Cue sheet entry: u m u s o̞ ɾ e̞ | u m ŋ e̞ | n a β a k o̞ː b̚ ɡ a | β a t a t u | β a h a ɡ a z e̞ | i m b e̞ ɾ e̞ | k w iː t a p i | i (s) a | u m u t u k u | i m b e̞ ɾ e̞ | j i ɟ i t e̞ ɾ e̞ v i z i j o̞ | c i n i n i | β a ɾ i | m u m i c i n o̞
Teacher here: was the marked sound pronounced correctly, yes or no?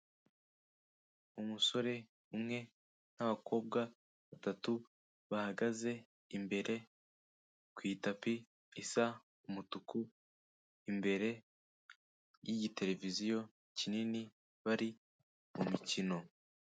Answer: yes